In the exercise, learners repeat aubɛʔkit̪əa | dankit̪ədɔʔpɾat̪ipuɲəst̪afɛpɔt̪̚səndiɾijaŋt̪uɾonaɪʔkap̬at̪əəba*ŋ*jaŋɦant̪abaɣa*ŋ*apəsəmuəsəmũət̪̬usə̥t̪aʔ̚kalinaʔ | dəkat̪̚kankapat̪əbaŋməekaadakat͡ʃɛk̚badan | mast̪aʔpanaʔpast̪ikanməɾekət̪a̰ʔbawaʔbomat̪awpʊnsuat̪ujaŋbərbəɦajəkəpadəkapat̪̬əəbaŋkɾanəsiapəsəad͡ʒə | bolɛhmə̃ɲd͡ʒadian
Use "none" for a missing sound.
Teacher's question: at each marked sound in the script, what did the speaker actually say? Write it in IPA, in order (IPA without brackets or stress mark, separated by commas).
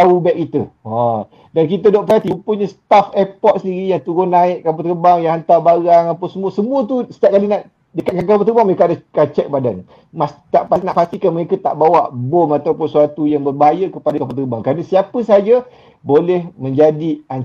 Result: ŋ, ŋ